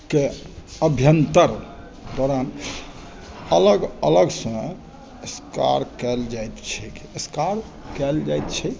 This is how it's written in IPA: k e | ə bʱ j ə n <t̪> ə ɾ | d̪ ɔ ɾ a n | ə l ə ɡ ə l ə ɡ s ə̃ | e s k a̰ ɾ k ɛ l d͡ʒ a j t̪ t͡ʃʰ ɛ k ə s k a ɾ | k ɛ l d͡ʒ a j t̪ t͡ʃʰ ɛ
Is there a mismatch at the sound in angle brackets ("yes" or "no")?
no